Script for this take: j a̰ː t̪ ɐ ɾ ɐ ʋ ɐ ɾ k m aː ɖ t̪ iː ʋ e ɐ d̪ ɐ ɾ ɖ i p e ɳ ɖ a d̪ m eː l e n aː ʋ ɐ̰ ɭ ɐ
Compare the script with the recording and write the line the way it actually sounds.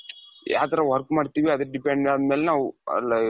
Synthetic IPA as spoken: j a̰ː t̪ ɐ ɾ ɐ ʋ ɐ ɾ k m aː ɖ t̪ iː ʋ i ɐ d̪ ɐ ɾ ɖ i p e ɳ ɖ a d̪ m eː l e n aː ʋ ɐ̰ l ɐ